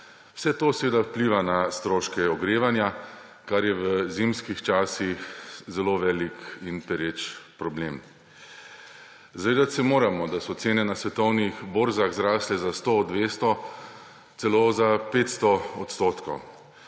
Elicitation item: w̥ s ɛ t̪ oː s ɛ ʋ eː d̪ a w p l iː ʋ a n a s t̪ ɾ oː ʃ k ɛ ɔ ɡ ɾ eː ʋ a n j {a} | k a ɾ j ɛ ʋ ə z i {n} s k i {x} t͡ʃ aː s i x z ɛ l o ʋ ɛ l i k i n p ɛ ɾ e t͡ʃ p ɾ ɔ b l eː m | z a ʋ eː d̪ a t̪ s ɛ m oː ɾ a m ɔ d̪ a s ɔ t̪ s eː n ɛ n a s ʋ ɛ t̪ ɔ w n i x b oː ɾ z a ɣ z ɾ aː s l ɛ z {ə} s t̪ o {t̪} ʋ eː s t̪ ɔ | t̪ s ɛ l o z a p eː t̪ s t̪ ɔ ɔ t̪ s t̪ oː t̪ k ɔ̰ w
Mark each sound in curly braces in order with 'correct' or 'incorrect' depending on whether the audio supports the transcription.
correct, incorrect: m, correct, incorrect: a, incorrect: d̪

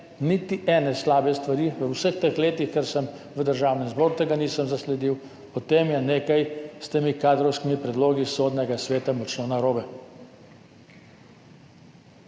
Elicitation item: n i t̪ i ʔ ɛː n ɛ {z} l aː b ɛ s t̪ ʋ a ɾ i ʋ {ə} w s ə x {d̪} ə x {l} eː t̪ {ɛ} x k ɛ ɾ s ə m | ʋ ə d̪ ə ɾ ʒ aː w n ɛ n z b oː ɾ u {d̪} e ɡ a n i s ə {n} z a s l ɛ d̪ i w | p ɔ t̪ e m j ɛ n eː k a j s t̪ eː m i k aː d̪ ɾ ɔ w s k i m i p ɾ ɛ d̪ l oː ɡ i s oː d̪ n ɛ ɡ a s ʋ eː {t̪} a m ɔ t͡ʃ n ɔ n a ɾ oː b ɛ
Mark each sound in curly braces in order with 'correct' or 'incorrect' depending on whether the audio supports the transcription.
incorrect: s, correct, incorrect: t̪, correct, incorrect: i, incorrect: t̪, incorrect: m, correct

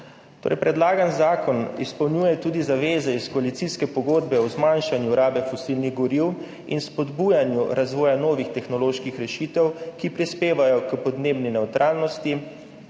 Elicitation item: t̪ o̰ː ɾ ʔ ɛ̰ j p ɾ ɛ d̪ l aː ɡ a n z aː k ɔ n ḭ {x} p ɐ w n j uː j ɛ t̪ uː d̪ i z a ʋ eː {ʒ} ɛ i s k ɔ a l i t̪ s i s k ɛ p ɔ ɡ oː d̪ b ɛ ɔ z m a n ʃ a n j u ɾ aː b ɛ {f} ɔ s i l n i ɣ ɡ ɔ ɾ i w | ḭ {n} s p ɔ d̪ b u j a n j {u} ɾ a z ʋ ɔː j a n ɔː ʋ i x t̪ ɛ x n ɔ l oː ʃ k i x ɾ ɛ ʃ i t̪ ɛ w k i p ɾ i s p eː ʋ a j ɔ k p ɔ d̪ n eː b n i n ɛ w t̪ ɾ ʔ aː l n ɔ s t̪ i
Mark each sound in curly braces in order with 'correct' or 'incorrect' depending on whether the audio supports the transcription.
incorrect: s, incorrect: z, correct, correct, correct

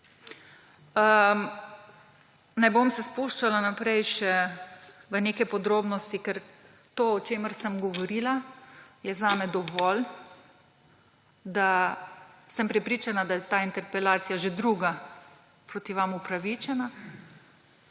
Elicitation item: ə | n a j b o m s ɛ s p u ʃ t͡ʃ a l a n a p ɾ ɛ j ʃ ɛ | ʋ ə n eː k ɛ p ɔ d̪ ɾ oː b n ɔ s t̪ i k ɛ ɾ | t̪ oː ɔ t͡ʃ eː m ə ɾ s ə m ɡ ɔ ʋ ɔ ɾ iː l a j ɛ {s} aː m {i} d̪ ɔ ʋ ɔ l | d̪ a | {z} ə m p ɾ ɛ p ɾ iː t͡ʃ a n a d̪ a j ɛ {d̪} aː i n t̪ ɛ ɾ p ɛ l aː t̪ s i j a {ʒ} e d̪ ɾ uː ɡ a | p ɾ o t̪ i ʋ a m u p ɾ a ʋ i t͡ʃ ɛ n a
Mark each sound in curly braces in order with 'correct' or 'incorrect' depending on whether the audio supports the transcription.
incorrect: z, incorrect: ɛ, incorrect: s, incorrect: t̪, correct

